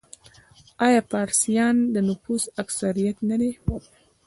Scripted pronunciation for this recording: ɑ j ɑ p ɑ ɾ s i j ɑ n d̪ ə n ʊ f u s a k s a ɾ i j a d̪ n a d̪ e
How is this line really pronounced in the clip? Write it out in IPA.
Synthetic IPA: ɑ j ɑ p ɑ ɾ s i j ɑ n d̪ ə n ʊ f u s a k s a ɾ i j a t̪ n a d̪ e